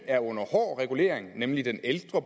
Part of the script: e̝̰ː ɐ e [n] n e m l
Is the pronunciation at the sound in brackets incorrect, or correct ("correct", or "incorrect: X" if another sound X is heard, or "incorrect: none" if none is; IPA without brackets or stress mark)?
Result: incorrect: ŋ